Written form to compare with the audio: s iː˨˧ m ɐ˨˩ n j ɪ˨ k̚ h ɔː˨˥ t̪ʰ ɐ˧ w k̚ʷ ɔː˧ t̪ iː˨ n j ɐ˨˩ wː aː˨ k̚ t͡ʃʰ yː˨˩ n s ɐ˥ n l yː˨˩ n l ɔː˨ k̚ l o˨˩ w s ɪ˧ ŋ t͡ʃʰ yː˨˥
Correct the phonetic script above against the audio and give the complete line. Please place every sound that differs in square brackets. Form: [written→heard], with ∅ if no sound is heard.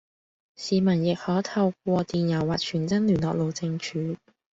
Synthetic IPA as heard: s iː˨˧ m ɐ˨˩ n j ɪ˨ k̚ h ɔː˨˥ t̪ʰ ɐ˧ w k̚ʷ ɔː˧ t̪ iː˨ n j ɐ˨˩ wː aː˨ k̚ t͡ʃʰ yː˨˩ n [s→t͡s] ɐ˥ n l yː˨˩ n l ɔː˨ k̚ l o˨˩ w [s→t͡s] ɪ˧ ŋ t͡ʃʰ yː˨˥